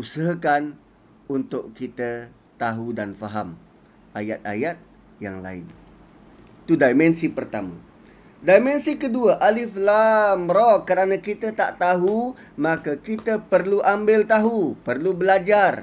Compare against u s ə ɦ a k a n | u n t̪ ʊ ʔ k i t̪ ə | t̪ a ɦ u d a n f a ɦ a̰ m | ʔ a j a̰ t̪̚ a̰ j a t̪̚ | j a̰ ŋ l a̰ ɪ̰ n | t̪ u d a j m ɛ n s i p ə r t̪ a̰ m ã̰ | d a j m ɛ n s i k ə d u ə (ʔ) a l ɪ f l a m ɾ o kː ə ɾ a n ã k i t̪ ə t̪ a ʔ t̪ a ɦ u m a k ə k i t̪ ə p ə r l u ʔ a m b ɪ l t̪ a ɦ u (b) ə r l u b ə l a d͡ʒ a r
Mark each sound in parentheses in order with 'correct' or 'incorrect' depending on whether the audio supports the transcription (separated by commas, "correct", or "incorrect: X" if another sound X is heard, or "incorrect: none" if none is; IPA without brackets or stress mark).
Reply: correct, incorrect: p